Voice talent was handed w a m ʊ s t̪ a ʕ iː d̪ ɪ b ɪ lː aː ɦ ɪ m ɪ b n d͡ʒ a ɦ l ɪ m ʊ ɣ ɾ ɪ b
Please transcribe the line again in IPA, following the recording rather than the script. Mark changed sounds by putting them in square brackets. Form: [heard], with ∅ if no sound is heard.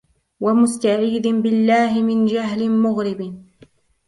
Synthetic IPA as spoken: w a m ʊ s t̪ a ʕ iː d̪ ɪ b ɪ lː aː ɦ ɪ m ɪ [∅] n d͡ʒ a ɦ l ɪ m ʊ ɣ ɾ ɪ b